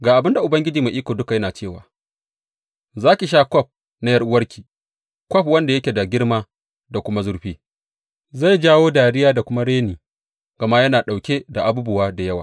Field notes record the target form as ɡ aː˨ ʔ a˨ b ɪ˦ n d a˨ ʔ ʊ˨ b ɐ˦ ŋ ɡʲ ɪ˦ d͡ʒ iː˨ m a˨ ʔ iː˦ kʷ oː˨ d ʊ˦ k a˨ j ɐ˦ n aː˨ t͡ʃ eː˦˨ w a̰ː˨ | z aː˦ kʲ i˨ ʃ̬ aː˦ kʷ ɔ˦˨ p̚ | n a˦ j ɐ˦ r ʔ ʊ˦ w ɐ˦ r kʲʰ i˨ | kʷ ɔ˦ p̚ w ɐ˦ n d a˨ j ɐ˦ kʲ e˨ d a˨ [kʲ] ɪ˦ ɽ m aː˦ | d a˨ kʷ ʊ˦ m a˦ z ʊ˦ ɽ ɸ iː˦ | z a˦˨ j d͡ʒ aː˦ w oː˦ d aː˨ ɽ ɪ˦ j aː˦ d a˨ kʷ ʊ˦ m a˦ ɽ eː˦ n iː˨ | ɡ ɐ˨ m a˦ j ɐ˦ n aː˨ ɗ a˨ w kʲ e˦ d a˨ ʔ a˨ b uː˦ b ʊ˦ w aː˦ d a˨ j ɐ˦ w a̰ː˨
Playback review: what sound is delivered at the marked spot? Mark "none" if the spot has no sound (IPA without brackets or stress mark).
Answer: ɡʲ